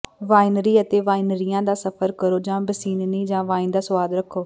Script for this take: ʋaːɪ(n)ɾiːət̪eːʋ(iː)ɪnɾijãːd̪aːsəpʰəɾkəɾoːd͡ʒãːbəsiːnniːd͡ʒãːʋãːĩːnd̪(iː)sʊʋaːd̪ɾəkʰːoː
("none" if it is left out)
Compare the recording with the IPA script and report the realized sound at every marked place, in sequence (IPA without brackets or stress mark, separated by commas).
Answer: n, aː, aː